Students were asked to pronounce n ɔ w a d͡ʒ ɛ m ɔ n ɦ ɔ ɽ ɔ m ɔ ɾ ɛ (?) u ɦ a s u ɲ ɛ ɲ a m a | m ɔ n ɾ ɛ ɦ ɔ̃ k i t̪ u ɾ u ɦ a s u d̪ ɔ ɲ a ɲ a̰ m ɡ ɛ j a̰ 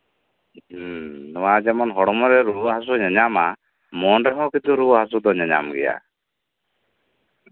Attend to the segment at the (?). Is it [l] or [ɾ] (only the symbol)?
ɾ